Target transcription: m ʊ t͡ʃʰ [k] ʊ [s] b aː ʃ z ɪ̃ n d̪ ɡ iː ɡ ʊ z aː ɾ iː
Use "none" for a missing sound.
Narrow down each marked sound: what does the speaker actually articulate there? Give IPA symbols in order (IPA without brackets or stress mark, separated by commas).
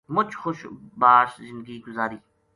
x, ʃ